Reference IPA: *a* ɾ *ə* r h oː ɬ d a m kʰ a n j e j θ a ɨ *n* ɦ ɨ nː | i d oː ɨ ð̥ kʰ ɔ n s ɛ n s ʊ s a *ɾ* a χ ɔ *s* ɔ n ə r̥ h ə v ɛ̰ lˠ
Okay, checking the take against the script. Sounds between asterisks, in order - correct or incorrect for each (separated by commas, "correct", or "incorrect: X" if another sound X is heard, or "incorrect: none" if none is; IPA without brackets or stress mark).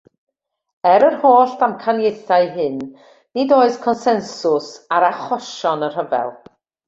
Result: incorrect: ɛ, correct, incorrect: none, correct, incorrect: ʃ